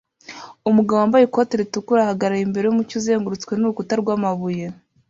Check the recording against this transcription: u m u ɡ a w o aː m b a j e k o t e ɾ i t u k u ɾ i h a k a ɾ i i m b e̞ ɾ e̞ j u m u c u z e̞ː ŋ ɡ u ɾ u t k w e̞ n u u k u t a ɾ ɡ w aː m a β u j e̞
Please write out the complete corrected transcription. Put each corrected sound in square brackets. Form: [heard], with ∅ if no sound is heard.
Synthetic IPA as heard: u m u ɡ a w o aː m b a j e k o t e ɾ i t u k u ɾ [a] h a [ɡ] a ɾ [a] i m b e̞ ɾ e̞ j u m u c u z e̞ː ŋ ɡ u ɾ u [t͡s] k w e̞ n u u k u t a ɾ ɡ w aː m a β u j e̞